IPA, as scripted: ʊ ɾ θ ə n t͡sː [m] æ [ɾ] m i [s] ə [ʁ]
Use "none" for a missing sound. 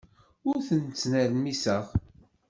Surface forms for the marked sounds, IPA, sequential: n, ɾ, s, ʁ

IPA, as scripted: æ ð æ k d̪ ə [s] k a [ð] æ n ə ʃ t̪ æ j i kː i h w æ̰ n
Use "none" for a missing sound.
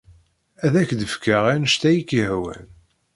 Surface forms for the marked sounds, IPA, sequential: f, ʁ

